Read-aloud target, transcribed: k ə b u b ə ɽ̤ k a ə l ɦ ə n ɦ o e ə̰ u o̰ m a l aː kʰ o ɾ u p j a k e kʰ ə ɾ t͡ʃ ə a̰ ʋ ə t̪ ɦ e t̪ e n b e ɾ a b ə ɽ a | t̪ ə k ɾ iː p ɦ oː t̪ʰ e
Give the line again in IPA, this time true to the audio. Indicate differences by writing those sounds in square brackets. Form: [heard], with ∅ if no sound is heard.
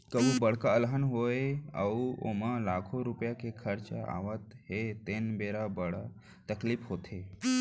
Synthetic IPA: k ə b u b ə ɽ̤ k a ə l ɦ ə n ɦ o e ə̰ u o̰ m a l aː kʰ o ɾ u p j a k e kʰ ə ɾ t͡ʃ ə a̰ ʋ ə t̪ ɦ e t̪ e n b e ɾ a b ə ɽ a | t̪ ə k [l] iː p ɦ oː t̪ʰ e